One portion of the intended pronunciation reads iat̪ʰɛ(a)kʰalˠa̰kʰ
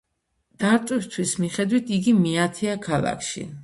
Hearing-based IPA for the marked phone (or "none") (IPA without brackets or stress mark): a